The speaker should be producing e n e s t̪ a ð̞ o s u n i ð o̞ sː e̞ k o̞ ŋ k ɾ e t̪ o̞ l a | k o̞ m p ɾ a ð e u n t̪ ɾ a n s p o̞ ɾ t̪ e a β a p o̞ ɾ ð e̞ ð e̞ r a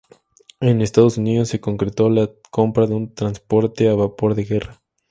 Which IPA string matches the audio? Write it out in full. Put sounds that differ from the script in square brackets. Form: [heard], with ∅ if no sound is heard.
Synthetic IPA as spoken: e n e s t̪ a ð̞ o s u n i ð o̞ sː e̞ k o̞ ŋ k ɾ e t̪ o̞ l a | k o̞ m p ɾ a ð e u n t̪ ɾ a n s p o̞ ɾ t̪ e a β a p o̞ ɾ ð e̞ [ɣ] e̞ r a